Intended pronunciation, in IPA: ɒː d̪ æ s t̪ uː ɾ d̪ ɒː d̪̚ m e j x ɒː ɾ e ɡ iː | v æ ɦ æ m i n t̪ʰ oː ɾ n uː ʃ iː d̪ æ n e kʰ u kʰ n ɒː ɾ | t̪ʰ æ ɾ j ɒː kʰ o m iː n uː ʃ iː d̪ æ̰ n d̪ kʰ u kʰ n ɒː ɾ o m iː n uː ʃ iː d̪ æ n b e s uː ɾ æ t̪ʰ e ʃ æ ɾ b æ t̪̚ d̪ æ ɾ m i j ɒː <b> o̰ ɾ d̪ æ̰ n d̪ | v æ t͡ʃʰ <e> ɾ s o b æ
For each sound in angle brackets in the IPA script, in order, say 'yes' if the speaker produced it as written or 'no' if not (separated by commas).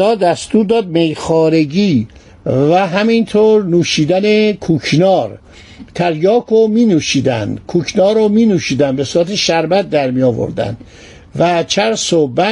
no, no